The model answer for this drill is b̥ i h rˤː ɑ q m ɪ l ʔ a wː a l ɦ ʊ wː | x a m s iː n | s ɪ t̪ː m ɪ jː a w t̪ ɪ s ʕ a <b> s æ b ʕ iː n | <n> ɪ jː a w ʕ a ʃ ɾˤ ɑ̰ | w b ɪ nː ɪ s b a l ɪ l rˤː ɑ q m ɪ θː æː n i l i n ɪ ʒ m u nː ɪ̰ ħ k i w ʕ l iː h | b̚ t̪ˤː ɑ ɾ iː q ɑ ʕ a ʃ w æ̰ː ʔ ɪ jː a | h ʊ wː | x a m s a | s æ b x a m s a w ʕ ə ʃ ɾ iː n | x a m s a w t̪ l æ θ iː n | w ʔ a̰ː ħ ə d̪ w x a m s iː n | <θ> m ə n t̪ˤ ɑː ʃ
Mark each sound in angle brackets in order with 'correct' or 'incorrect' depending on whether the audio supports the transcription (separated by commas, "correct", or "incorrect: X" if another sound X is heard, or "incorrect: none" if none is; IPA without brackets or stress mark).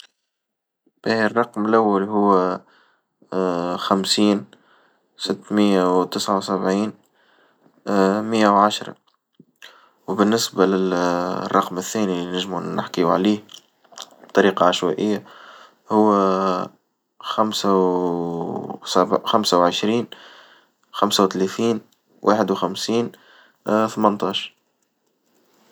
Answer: incorrect: w, incorrect: m, correct